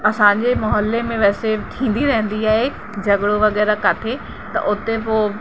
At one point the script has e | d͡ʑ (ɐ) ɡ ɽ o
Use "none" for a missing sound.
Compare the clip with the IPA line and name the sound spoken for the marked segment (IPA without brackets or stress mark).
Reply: ɐ